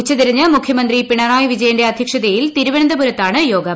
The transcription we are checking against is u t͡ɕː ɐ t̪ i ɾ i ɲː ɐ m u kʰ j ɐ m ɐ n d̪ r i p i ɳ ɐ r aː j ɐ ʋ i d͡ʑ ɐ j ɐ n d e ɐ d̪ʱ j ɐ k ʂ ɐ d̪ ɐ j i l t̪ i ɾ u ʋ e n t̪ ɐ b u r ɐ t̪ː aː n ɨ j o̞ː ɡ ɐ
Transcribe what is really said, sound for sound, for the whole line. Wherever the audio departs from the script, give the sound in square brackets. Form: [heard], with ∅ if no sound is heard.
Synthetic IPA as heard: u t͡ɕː ɐ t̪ i ɾ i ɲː ɐ m u kʰ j ɐ m ɐ n d̪ r i p i ɳ ɐ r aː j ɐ ʋ i d͡ʑ ɐ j ɐ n d e ɐ d̪ʱ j ɐ k ʂ ɐ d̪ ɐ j i l t̪ i ɾ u ʋ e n [d̪] ɐ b u [ɾ] ɐ t̪ː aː [ɳ] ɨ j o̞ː ɡ ɐ